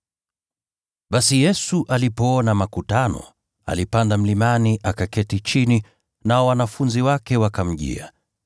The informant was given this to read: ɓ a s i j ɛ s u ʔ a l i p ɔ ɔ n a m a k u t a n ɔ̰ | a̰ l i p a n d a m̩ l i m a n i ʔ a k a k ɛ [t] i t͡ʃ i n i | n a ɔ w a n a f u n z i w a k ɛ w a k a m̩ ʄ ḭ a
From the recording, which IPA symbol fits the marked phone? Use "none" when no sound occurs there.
t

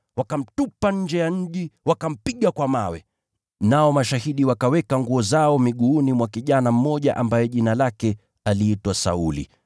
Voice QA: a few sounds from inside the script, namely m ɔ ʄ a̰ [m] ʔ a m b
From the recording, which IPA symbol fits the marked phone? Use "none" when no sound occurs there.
none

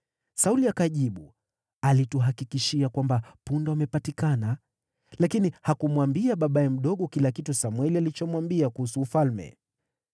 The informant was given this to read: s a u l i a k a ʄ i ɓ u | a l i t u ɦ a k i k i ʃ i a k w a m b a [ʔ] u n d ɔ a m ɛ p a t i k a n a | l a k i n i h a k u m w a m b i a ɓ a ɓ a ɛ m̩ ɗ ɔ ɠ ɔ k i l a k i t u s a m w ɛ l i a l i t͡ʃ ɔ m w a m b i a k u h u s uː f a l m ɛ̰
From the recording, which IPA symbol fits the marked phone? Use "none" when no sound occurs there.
p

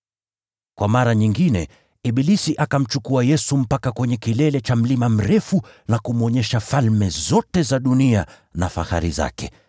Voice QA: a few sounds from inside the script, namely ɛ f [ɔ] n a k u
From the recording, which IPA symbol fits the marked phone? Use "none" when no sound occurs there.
u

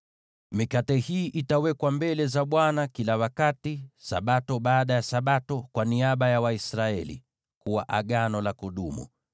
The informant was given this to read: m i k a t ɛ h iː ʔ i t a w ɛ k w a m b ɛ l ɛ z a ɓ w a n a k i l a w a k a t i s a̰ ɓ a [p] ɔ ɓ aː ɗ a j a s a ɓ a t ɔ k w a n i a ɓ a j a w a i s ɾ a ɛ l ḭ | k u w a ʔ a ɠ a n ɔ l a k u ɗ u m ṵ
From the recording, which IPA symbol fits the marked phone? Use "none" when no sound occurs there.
t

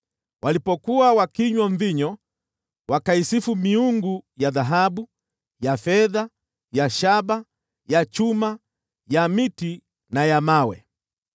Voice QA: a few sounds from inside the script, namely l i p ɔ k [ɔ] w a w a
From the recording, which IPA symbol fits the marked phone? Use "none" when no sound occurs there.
u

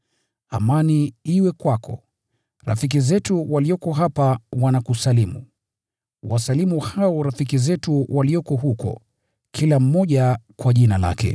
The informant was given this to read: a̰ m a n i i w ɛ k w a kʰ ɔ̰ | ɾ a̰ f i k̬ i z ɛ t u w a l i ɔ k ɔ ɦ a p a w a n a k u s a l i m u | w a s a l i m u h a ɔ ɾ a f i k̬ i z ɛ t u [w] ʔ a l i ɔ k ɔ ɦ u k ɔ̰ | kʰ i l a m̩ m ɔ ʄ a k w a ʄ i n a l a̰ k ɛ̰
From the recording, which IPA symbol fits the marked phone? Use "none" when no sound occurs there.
w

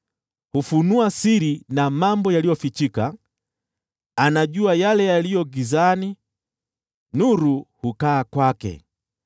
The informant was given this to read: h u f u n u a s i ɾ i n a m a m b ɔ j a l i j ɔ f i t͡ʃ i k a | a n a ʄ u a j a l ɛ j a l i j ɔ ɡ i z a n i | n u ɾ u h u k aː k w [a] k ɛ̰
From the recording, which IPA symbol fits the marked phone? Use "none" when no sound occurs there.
a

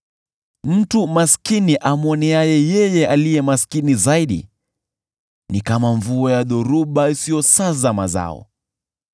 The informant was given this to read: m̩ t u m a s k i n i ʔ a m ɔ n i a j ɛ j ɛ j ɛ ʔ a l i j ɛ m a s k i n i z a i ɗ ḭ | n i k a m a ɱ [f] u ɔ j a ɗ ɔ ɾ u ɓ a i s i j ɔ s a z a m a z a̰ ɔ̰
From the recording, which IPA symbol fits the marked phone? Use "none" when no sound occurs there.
v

